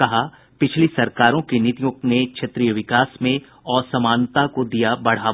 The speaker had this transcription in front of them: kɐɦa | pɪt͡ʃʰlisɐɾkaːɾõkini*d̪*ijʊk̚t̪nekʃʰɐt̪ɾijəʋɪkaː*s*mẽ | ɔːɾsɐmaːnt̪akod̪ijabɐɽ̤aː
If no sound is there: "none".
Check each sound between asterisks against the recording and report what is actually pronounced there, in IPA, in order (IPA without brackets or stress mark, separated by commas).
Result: t̪, s